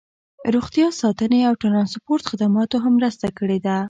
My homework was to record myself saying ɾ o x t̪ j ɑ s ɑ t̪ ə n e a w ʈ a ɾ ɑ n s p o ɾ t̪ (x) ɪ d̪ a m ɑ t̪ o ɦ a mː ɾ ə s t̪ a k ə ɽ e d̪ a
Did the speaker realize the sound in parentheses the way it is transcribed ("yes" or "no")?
yes